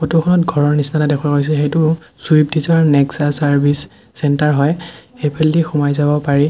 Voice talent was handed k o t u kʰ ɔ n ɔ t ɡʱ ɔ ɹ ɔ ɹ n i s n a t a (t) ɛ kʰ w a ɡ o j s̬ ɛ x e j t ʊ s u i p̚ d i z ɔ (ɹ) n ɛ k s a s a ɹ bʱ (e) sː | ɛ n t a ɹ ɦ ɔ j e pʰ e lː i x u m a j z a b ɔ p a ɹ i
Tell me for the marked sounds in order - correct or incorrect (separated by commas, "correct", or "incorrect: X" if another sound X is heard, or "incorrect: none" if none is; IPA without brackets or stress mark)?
incorrect: d, correct, incorrect: i